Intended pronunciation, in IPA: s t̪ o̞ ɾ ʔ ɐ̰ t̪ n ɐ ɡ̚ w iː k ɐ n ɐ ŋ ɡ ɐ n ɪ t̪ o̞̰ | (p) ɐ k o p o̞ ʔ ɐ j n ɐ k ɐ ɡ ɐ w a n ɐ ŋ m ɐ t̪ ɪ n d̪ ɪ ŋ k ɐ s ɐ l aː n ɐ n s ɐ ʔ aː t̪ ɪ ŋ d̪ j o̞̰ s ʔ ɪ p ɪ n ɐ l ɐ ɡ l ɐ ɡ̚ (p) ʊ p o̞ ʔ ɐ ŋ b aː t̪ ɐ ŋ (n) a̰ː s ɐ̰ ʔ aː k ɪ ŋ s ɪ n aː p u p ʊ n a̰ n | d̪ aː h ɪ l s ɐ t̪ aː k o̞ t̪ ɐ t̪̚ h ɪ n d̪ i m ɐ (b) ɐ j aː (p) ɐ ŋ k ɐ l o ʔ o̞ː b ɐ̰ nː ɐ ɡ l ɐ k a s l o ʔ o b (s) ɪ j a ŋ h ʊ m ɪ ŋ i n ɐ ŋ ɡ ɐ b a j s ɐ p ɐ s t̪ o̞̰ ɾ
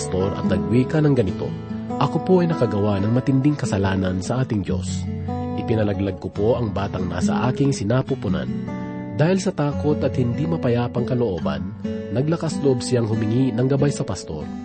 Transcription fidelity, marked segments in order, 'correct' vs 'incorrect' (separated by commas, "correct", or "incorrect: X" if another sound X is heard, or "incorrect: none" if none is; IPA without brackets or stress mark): incorrect: ʔ, incorrect: k, correct, incorrect: p, correct, correct